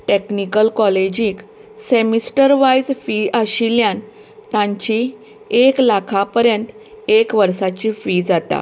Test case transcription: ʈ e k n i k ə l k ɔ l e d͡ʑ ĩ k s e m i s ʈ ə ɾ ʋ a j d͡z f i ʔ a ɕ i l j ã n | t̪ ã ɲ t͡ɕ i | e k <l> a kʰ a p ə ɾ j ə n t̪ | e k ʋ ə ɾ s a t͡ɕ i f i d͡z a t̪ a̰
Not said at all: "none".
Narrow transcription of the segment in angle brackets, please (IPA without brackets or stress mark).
l